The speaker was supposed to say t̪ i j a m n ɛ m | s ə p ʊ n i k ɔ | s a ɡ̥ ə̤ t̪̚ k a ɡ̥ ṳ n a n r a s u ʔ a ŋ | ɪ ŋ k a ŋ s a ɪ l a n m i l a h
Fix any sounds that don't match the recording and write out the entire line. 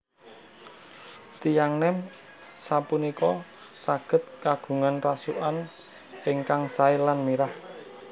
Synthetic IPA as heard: t̪ i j a ŋ n ɛ m | s a p u n i k ɔ | s a ɡ̥ ə̤ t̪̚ k a ɡ̥ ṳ ŋ a n r a s u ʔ a n | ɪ ŋ k a ŋ s a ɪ l a n m i ɾ a h